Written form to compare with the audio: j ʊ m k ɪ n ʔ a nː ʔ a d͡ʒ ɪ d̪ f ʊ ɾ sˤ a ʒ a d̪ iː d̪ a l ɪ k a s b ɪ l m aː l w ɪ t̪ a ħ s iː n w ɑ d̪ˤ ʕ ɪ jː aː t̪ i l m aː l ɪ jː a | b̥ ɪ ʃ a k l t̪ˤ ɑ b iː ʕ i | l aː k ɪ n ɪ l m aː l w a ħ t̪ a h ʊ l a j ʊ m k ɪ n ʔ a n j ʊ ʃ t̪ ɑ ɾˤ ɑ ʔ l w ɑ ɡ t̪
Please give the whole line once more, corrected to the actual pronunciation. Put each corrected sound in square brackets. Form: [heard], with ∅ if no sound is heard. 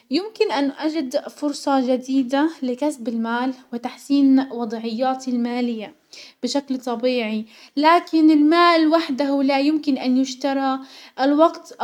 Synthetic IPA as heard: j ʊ m k ɪ n ʔ a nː ʔ a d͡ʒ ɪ d̪ f ʊ ɾ sˤ [ɑ] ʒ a d̪ iː d̪ a l ɪ k a s b ɪ l m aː l w ɪ t̪ a ħ s iː n w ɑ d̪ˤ ʕ ɪ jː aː t̪ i l m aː l ɪ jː a | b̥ ɪ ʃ a k l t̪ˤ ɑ b iː ʕ i | l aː k ɪ n ɪ l m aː l w a ħ [d̪] a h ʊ l a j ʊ m k ɪ n ʔ a n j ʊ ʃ t̪ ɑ ɾˤ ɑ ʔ l w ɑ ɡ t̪